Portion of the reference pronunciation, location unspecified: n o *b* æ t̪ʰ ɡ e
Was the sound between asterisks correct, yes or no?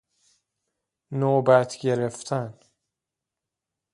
yes